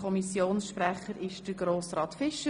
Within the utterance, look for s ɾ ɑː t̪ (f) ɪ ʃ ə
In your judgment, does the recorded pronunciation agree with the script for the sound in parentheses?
yes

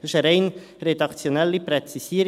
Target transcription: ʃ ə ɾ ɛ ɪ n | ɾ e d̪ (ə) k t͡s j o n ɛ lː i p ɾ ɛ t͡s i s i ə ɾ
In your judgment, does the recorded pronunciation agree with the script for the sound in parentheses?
no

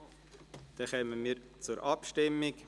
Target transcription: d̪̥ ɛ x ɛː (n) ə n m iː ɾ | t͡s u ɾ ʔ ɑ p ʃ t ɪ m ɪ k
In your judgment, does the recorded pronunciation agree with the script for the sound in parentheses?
no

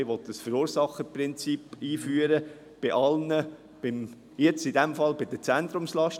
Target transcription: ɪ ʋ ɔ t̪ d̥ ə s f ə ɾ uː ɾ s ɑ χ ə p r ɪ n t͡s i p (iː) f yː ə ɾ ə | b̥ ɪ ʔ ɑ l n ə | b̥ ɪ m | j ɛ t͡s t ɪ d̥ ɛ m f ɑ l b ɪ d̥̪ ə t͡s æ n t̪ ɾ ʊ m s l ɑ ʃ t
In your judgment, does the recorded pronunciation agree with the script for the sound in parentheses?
yes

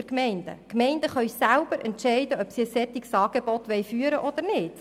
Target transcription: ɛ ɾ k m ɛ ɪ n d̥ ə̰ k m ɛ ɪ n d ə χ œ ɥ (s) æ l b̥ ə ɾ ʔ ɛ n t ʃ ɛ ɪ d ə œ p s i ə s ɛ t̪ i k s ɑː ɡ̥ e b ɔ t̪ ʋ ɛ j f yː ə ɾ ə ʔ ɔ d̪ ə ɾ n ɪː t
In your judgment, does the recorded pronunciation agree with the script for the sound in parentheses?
yes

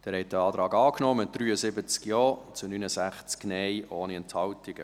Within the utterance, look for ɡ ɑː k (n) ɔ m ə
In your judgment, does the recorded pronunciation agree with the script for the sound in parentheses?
yes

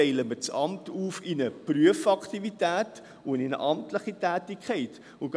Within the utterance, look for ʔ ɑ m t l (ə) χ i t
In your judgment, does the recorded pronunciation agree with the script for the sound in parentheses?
yes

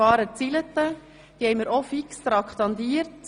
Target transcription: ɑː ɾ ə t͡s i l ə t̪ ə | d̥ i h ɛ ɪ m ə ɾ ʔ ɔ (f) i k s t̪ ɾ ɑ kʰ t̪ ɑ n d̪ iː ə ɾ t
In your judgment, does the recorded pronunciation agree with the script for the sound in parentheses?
yes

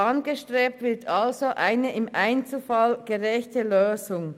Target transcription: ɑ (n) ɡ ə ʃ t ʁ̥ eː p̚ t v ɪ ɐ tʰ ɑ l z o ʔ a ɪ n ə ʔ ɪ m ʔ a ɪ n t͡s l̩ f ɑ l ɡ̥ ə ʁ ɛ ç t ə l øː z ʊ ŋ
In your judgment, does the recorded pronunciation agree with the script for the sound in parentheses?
yes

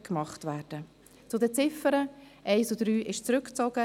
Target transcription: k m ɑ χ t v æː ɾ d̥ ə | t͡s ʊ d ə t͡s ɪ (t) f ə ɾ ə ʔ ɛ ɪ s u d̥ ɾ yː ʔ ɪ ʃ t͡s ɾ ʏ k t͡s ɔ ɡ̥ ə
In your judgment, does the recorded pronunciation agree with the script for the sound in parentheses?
no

